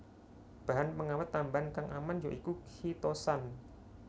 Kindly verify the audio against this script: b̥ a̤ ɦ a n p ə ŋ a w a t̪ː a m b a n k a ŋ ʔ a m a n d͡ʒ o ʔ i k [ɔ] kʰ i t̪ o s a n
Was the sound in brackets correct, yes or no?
no